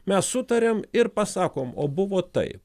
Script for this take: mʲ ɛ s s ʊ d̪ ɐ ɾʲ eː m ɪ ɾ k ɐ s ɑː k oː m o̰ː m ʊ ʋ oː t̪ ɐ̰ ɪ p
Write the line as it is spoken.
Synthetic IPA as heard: mʲ ɛ s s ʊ t̪ ɐ ɾʲ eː m ɪ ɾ p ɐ s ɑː k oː m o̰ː b ʊ ʋ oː t̪ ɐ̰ ɪ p